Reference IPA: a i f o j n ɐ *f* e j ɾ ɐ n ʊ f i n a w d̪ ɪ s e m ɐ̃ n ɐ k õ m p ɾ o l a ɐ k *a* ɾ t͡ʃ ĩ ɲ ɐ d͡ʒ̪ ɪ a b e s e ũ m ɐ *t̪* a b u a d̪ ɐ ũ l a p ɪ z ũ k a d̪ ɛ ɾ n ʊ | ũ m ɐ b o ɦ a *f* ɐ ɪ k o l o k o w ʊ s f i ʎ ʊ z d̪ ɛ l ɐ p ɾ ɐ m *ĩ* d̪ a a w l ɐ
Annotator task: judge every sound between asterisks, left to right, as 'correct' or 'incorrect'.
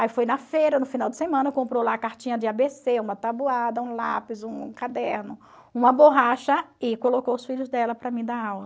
correct, correct, correct, incorrect, correct

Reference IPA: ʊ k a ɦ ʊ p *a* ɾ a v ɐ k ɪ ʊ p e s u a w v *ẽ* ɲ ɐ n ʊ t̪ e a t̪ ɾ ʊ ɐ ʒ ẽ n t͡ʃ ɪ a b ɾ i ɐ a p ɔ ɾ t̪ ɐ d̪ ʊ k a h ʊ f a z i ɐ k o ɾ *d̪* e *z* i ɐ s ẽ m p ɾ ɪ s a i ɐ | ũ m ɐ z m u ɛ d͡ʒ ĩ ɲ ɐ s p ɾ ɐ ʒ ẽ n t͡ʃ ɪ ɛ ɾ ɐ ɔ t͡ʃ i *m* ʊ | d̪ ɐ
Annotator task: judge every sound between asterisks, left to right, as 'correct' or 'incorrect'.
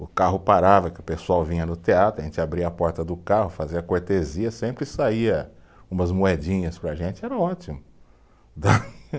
correct, incorrect, incorrect, correct, correct

